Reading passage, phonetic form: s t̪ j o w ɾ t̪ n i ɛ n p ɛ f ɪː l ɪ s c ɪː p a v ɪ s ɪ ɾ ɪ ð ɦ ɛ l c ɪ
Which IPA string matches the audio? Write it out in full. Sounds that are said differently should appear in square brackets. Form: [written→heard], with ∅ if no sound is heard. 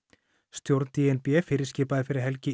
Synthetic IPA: s t̪ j o w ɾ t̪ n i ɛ n p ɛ f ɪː [l→ɾ] ɪ s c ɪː p a [v→ð] ɪ [s→f] ɪ ɾ ɪ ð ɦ ɛ l c ɪ